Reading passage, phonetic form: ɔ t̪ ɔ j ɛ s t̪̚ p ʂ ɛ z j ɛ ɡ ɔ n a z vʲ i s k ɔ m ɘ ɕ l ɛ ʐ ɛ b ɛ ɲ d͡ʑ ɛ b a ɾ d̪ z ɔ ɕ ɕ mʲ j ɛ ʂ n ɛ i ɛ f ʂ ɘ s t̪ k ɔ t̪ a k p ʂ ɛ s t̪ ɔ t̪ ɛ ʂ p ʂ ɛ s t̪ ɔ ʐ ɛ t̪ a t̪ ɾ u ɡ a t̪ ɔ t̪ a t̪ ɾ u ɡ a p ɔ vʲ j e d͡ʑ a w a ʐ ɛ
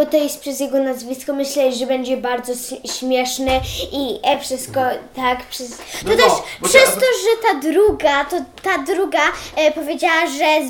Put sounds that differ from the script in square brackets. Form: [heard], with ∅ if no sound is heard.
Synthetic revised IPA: ɔ t̪ ɔ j ɛ s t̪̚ p ʂ ɛ z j ɛ ɡ ɔ n a z vʲ i s k ɔ m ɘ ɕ l ɛ ʐ ɛ b ɛ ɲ d͡ʑ ɛ b a ɾ d̪ z ɔ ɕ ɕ mʲ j ɛ ʂ n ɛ i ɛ f ʂ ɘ s t̪ k ɔ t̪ a k p ʂ ɛ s t̪ ɔ t̪ ɛ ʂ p ʂ ɛ s t̪ ɔ ʐ ɛ t̪ a [d̪] ɾ u ɡ a t̪ ɔ t̪ a [d̪] ɾ u ɡ a p ɔ vʲ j e d͡ʑ a w a ʐ ɛ